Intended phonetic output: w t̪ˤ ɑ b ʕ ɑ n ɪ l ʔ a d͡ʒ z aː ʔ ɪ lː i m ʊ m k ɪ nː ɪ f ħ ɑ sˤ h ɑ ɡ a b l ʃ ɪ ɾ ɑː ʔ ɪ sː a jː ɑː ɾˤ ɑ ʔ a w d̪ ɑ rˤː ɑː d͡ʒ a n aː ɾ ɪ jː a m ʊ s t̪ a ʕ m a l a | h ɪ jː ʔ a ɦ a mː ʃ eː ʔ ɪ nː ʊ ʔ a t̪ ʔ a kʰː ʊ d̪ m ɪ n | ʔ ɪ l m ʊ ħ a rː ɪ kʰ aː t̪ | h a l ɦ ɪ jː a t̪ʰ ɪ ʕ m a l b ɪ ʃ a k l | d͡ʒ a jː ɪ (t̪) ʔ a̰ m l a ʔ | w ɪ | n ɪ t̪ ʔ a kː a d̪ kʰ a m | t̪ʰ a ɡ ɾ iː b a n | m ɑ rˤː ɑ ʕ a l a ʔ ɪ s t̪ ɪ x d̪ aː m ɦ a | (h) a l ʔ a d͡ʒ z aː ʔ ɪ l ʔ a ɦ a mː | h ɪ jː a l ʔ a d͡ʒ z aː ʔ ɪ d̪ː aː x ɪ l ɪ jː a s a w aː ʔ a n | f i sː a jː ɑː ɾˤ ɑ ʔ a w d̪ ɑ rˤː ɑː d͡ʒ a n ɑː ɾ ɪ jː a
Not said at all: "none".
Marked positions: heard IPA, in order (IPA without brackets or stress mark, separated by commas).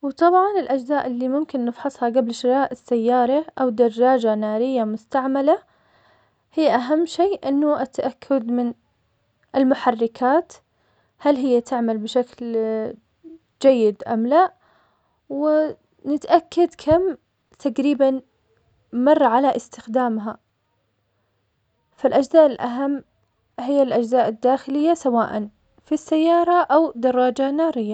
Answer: d̪, f